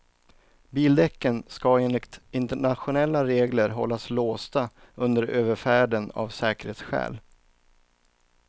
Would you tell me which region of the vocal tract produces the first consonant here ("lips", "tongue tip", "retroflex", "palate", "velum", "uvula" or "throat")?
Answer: lips